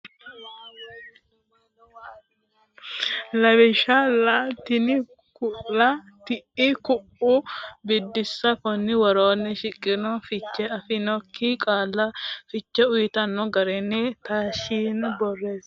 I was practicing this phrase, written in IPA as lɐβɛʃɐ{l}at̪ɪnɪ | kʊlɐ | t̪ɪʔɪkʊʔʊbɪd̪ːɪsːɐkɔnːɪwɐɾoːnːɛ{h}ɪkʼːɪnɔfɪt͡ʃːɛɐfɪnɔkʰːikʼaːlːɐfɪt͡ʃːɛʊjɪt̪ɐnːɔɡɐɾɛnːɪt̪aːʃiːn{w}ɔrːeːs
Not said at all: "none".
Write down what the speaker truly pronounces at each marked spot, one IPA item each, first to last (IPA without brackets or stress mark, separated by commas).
l, ʃ, b